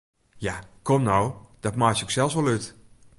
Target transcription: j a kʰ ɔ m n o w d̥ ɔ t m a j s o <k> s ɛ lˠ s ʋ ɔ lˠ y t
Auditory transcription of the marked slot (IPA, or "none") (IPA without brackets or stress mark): k